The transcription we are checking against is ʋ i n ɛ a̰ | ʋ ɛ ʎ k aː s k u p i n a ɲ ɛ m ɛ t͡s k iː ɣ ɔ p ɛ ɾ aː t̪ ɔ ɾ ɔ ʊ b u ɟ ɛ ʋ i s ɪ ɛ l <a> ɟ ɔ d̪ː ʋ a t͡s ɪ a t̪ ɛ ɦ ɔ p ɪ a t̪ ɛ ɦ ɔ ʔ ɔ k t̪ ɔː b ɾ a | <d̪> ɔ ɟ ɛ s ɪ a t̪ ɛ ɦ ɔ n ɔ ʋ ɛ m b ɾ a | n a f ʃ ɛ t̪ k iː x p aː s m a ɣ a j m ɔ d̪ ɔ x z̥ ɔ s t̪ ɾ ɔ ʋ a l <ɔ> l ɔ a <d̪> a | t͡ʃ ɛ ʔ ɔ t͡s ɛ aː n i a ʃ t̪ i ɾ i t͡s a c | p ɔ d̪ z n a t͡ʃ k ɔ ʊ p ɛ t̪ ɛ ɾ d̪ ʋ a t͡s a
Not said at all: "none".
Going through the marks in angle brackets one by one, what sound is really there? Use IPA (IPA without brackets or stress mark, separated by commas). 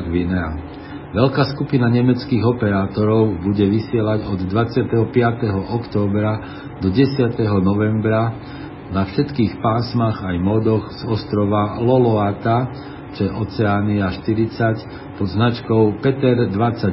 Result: a, d̪, ɔ, t̪